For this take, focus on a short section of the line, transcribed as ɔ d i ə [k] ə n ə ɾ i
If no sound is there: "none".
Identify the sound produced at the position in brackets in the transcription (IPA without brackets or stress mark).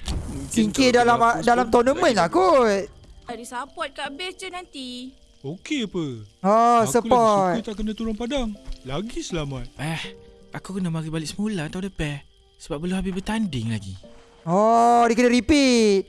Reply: k